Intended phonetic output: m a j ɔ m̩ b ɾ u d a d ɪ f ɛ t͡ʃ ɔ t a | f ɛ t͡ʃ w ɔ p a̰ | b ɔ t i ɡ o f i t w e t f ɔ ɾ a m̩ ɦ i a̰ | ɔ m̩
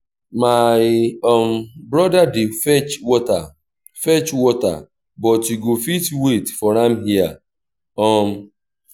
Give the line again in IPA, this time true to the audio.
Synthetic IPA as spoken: m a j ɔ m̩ b ɾ ɔ d a d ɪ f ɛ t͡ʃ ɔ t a | f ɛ t͡ʃ w ɔ t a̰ | b ɔ t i ɡ o f i t w e t f ɔ ɾ a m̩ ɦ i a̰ | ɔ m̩